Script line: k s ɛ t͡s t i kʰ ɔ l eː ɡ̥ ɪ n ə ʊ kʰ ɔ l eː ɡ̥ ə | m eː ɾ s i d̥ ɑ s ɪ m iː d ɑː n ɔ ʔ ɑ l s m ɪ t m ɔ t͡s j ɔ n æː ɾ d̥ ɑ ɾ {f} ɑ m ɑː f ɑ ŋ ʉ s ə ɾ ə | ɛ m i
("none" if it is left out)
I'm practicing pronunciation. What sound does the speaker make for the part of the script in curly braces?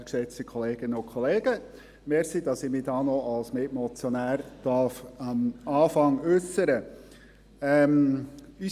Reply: f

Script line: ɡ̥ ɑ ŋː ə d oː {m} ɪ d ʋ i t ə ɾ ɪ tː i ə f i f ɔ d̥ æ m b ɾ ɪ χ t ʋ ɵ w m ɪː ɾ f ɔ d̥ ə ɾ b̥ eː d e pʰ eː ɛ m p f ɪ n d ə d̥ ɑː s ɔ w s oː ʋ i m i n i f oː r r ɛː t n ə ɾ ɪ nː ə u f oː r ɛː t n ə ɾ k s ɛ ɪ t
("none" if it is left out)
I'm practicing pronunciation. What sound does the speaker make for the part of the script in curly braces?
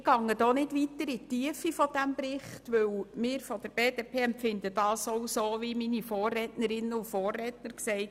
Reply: n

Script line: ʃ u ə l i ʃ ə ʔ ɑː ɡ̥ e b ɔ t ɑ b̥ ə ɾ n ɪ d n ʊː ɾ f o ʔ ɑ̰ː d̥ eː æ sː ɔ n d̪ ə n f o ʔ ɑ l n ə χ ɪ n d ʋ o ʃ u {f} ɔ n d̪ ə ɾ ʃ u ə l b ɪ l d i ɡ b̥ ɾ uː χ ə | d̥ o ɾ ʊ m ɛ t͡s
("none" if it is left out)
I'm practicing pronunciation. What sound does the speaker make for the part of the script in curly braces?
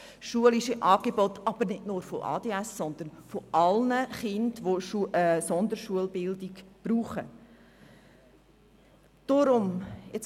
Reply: s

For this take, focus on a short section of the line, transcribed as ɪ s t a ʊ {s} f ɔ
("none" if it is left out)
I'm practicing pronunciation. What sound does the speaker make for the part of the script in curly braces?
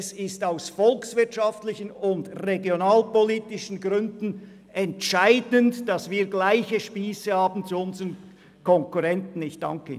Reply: s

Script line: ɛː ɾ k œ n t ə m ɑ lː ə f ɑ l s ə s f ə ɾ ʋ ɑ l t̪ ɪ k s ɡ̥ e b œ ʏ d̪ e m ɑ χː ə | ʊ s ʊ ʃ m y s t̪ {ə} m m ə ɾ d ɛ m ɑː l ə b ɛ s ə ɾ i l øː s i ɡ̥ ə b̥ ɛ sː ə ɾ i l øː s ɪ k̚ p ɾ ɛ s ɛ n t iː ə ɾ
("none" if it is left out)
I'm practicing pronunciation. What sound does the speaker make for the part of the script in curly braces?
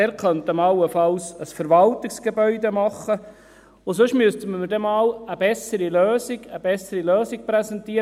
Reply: ə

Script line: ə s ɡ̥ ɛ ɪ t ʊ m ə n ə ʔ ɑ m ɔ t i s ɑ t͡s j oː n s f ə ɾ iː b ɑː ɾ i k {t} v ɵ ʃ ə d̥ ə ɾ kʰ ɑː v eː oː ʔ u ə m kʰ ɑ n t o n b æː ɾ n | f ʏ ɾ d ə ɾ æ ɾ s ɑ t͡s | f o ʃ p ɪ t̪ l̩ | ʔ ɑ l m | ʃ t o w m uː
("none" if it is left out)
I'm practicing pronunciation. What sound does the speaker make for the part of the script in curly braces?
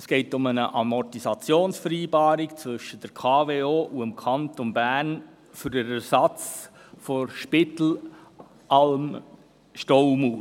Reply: t͡s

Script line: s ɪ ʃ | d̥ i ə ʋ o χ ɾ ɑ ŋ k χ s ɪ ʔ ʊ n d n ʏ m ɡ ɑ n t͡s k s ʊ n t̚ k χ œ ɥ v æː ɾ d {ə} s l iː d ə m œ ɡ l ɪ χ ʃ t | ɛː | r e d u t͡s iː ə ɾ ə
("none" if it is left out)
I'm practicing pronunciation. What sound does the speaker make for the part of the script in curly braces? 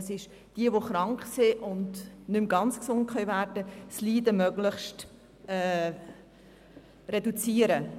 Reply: ə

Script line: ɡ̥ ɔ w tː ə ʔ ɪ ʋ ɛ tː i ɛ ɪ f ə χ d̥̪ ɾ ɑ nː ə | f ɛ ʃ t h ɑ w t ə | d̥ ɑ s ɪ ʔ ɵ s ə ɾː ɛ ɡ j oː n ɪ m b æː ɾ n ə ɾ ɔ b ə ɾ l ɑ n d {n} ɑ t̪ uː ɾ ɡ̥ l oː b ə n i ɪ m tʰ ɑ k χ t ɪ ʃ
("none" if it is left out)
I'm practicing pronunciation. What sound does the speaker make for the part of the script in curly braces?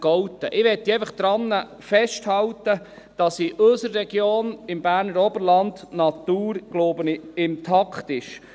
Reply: n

